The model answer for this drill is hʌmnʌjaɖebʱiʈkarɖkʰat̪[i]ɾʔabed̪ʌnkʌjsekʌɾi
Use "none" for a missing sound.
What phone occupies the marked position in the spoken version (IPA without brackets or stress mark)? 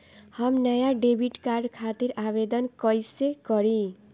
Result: i